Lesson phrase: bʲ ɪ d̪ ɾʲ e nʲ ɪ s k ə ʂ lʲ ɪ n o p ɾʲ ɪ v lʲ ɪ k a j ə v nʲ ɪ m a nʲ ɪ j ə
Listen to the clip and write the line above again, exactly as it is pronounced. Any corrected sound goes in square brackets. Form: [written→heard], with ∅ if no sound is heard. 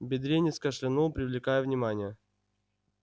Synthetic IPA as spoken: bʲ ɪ d̪ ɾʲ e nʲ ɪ s k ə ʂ lʲ ɪ n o p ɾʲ ɪ v lʲ ɪ k a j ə v nʲ ɪ m a nʲ ɪ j ə